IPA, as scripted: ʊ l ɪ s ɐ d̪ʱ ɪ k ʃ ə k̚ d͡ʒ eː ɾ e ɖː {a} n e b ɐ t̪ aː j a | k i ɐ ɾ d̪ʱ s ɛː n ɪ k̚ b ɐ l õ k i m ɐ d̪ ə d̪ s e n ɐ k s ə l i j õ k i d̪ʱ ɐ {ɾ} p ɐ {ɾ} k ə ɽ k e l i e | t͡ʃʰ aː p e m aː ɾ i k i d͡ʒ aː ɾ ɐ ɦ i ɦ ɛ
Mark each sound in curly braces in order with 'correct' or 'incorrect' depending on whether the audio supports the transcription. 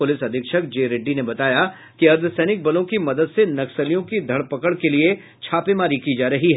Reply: incorrect, incorrect, incorrect

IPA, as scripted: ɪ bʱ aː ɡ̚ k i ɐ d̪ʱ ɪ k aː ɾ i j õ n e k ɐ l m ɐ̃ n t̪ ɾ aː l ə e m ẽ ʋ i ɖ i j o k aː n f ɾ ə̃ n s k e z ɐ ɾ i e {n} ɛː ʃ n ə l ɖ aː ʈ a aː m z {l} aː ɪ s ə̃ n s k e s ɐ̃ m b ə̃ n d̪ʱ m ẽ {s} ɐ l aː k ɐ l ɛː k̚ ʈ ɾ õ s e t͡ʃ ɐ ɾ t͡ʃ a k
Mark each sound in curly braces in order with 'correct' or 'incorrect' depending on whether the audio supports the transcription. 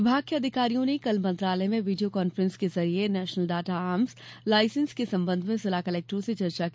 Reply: correct, correct, correct

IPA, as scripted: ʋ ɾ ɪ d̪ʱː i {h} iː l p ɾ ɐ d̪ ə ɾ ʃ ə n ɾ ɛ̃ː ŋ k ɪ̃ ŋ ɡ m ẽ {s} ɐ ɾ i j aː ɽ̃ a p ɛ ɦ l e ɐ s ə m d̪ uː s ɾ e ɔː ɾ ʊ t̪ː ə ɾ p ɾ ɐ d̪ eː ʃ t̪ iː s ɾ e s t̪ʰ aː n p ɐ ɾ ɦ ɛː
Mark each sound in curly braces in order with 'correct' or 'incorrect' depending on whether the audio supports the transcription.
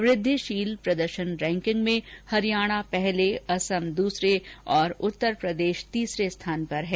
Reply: incorrect, incorrect

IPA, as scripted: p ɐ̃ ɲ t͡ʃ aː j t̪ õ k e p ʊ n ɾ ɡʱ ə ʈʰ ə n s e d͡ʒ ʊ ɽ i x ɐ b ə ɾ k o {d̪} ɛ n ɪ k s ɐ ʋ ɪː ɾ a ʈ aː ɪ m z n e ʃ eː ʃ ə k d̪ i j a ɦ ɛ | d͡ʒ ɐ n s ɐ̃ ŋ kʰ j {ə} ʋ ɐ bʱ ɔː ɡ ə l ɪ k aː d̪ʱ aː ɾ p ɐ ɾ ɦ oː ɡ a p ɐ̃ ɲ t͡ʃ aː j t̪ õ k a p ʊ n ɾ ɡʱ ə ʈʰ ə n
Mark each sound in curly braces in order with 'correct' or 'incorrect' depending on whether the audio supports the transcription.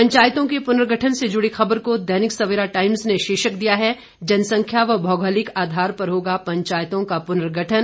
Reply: correct, incorrect

